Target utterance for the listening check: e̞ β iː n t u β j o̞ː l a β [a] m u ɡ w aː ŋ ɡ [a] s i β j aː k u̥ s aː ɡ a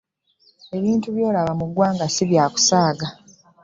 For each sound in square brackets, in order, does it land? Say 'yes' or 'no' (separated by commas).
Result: yes, yes